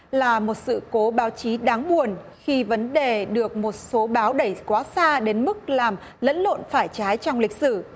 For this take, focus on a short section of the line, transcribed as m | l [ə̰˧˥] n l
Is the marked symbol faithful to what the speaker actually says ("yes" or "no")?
yes